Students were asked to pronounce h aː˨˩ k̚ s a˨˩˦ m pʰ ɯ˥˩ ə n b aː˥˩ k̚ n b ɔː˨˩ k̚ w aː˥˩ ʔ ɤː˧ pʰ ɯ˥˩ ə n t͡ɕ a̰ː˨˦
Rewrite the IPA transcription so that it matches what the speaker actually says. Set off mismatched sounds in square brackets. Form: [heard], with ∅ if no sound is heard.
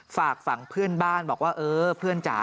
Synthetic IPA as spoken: [f] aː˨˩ k̚ [f] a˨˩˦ [ŋ] pʰ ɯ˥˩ ə n b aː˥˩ [∅] n b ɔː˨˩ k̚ w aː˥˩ ʔ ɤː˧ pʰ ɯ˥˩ ə n t͡ɕ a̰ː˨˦